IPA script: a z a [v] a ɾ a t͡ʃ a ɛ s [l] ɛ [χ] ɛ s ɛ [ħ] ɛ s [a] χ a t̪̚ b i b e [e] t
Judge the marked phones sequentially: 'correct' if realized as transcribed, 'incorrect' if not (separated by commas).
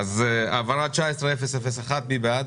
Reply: correct, incorrect, incorrect, incorrect, correct, incorrect